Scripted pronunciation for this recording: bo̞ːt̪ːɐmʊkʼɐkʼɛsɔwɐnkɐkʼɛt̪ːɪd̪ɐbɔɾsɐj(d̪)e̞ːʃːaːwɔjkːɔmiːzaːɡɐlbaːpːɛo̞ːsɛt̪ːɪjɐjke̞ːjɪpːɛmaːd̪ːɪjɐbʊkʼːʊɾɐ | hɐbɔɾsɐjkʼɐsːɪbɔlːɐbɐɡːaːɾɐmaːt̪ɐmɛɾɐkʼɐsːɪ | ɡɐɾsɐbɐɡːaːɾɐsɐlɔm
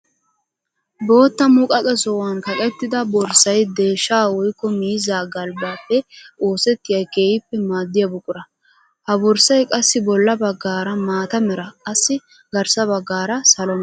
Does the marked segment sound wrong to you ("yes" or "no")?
no